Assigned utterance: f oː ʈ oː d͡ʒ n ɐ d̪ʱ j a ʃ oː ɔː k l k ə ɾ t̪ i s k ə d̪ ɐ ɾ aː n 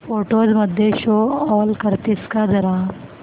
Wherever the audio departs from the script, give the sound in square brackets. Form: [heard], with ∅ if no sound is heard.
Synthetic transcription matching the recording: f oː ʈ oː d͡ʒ [m] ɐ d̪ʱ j [e] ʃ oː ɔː [∅] l k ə ɾ t̪ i s k [a] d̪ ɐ ɾ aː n